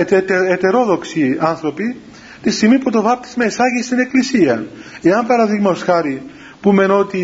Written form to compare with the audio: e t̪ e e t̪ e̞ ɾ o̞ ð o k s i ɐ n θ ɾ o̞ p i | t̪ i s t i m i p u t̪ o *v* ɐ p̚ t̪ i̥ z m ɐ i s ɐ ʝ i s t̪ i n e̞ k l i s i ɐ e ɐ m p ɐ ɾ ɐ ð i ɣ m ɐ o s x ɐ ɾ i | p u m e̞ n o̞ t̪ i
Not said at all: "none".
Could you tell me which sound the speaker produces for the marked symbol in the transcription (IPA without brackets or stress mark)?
v